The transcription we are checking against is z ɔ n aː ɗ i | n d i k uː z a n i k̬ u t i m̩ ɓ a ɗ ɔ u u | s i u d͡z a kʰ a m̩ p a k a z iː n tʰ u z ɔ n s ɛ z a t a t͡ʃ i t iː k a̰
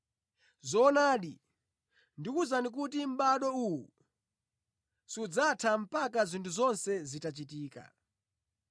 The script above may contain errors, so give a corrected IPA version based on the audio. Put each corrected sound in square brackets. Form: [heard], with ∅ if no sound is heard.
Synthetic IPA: z ɔ n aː ɗ i | n d i k [u] z a n i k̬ u t i m̩ ɓ a ɗ ɔ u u | s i u d͡z a [tʰ] a m̩ p a k a z [i] n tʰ u z ɔ n s ɛ z [i] t a t͡ʃ i t iː k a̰